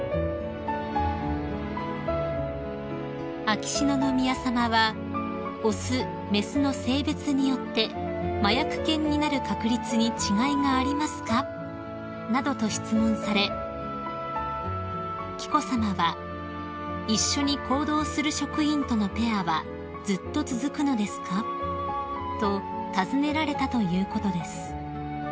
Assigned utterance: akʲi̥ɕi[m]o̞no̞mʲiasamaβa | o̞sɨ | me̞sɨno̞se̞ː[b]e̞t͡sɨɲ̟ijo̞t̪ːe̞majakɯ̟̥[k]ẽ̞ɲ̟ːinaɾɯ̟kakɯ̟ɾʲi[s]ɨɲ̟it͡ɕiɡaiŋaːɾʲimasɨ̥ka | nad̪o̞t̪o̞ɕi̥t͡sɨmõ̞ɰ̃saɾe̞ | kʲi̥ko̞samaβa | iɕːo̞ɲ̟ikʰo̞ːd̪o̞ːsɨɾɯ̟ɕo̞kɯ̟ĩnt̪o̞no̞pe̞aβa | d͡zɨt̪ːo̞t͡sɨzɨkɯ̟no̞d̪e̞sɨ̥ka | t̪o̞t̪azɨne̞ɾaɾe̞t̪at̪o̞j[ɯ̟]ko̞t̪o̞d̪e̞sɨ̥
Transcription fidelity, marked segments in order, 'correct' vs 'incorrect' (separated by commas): incorrect, correct, correct, incorrect, incorrect